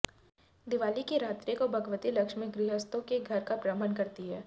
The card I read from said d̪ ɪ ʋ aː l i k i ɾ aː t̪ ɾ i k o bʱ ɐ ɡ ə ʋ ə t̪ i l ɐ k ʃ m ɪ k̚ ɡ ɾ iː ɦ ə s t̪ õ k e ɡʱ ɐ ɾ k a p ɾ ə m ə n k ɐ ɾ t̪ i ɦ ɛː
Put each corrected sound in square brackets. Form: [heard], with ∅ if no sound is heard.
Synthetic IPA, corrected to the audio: d̪ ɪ ʋ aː l i k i ɾ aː t̪ ɾ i k o bʱ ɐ ɡ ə ʋ ə t̪ i l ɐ k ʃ m ɪ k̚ ɡ ɾ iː ɦ ə s t̪ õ k e ɡʱ ɐ ɾ k a p ɾ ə m ə n k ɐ ɾ t̪ i ɦ ɛː

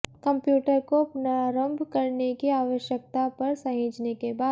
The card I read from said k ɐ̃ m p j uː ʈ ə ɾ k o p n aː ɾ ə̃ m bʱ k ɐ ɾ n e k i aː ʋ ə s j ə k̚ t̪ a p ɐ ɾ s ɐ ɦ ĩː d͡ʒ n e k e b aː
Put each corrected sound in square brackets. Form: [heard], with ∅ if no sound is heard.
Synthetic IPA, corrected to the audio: k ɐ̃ m p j uː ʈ ə ɾ k o p n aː ɾ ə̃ m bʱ k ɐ ɾ n e k i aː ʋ ə [ʃ] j ə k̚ t̪ a p ɐ ɾ s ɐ ɦ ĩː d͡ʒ n e k e b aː

